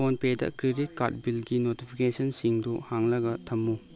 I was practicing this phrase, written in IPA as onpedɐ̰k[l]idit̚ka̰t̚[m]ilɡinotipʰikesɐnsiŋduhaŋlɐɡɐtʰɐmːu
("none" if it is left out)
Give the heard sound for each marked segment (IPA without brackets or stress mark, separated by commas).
ɾ, b